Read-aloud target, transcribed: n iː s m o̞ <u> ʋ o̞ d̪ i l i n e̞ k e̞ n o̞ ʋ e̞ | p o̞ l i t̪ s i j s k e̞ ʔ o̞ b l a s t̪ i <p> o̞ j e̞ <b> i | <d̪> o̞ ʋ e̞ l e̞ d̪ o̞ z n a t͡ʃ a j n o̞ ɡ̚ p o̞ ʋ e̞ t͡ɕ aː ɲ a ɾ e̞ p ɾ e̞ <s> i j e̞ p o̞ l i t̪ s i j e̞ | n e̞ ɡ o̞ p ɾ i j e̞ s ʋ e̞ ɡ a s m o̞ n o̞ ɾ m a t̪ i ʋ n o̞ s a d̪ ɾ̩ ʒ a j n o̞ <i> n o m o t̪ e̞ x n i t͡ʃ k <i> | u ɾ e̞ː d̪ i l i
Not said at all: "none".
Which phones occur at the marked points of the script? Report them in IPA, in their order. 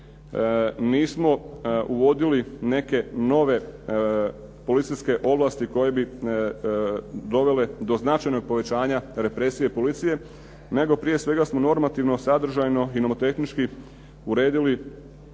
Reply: u, k, b, d̪, s, i, i

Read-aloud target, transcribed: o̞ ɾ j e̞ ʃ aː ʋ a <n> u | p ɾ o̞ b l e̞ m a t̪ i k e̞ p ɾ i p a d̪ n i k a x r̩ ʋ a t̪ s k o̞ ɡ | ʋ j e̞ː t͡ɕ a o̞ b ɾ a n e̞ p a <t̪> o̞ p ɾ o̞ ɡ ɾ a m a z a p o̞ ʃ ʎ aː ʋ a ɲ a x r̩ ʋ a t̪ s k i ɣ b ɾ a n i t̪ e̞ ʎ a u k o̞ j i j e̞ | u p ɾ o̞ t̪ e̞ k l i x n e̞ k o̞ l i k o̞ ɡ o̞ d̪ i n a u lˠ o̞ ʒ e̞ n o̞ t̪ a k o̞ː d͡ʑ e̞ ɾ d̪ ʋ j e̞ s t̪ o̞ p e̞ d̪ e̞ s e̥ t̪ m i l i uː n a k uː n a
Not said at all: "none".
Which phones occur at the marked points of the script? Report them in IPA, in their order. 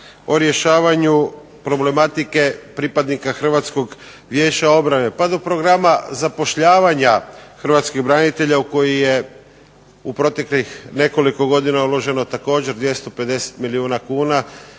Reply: ɲ, d̪

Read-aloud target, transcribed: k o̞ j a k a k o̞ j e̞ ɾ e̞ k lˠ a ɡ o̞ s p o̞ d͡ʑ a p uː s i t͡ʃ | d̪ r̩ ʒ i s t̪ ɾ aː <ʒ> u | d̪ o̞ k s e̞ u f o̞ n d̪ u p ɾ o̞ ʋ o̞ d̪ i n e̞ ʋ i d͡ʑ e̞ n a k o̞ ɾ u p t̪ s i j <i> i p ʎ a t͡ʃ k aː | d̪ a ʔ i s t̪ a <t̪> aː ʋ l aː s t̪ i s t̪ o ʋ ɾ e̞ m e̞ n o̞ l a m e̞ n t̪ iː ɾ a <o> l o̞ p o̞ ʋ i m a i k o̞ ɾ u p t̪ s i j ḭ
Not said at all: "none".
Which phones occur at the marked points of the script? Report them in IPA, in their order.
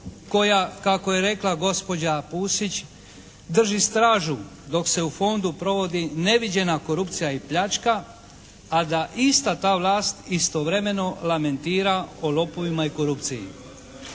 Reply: ʒ, a, t̪, o

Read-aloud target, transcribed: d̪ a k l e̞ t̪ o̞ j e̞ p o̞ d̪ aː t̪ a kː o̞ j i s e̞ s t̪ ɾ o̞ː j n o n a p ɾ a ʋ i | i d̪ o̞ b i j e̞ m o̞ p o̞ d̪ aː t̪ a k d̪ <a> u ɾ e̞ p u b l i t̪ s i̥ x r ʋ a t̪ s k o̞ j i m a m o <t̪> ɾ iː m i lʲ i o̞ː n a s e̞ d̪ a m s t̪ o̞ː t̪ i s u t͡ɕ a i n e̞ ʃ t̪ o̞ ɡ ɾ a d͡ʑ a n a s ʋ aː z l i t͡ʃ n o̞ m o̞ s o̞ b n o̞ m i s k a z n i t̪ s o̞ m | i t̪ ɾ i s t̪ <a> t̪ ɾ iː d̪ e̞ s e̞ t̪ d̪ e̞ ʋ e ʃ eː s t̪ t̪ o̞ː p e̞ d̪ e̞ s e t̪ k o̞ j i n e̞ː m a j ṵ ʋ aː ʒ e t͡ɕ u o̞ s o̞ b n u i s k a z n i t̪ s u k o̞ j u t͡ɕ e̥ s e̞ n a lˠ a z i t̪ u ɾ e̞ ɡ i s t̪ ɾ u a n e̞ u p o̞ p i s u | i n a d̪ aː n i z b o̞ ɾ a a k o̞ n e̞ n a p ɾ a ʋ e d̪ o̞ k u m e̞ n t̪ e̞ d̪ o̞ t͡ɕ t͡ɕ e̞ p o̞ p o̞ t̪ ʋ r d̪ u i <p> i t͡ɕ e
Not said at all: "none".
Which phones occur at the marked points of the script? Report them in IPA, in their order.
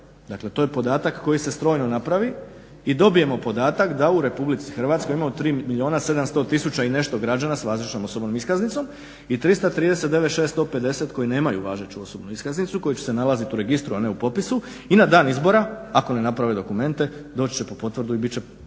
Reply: a, t̪, a, b

